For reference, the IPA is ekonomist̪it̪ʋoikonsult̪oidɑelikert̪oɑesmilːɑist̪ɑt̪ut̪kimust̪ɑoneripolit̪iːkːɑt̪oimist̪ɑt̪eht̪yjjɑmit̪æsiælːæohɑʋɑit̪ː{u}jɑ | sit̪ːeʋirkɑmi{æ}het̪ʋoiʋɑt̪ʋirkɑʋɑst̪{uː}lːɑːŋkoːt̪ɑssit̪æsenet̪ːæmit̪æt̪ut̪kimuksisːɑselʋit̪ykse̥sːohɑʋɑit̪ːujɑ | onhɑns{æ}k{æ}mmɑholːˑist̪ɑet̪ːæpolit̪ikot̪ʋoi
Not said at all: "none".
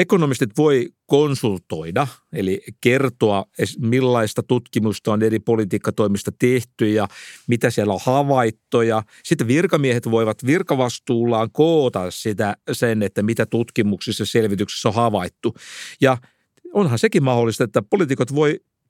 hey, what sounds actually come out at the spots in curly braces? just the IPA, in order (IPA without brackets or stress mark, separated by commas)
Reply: o, e, uː, e, i